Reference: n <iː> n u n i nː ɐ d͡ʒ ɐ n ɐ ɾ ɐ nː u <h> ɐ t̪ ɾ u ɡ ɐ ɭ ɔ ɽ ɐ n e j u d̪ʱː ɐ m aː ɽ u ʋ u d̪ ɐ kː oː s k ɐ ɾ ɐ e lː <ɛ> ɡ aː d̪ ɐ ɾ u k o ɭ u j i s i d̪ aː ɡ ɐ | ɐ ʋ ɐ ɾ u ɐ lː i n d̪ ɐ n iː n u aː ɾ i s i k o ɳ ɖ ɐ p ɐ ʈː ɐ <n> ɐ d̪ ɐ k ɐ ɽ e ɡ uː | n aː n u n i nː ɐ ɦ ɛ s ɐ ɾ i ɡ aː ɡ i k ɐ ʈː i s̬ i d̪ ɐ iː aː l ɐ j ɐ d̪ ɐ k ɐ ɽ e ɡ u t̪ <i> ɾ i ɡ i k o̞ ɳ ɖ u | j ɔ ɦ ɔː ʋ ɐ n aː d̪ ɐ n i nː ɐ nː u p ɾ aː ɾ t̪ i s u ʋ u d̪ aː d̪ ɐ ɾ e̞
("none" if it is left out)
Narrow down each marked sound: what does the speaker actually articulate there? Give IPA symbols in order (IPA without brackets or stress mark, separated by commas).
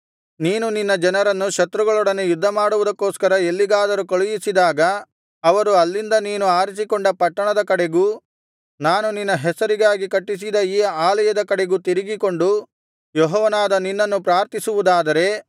iː, ʃ, i, ɳ, i